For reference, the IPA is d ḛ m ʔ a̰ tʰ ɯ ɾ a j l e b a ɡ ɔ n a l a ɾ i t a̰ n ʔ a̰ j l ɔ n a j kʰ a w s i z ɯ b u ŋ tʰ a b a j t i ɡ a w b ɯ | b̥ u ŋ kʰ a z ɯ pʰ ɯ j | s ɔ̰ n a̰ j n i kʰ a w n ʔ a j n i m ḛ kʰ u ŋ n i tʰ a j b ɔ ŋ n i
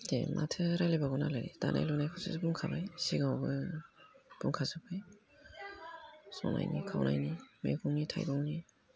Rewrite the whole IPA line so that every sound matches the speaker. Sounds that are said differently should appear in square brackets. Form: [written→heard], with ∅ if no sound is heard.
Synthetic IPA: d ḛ m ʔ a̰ tʰ ɯ ɾ a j l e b a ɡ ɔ n a l a ɾ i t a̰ n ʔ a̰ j l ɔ n a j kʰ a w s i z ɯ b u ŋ [tʰ→kʰ] a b a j [t→s] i ɡ a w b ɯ | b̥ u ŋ kʰ a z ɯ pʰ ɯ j | s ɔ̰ n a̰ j n i kʰ a w n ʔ a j n i m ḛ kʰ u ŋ n i tʰ a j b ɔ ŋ n i